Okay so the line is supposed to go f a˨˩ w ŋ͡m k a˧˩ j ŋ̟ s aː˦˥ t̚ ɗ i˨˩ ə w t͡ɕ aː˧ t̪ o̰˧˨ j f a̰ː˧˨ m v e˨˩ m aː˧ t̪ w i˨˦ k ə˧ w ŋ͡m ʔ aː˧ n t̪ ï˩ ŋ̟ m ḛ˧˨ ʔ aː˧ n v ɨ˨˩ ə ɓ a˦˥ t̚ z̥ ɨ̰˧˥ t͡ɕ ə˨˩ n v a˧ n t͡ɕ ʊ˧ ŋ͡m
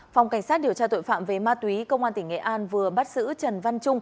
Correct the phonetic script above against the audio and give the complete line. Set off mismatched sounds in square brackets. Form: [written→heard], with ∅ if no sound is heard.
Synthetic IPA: f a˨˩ w ŋ͡m k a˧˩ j ŋ̟ s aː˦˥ t̚ ɗ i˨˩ ə w t͡ɕ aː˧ t̪ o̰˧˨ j f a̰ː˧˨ m v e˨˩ m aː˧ t̪ w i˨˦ k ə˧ w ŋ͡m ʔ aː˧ n t̪ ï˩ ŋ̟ [m→ŋ] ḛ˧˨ ʔ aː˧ n v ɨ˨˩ ə ɓ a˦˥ t̚ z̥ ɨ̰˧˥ t͡ɕ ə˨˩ n v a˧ n t͡ɕ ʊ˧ ŋ͡m